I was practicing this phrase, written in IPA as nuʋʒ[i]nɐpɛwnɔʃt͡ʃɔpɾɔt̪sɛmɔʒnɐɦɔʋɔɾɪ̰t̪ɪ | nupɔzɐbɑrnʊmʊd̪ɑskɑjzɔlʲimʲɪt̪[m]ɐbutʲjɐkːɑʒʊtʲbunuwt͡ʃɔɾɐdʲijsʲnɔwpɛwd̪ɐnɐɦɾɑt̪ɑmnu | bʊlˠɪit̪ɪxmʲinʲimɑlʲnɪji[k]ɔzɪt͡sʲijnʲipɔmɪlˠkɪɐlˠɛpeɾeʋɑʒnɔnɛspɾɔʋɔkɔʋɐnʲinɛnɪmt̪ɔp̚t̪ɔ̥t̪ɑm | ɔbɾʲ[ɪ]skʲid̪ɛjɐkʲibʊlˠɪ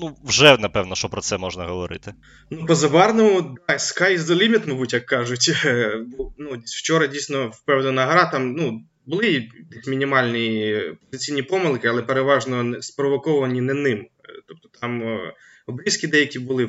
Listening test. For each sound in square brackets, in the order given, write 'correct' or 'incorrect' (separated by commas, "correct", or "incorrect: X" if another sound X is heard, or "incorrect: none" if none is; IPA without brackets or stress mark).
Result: incorrect: ɛ, correct, incorrect: p, incorrect: i